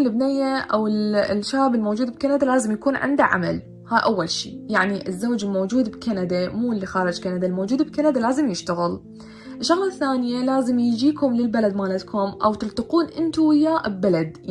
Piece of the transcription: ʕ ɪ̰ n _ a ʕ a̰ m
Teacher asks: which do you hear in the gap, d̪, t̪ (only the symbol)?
d̪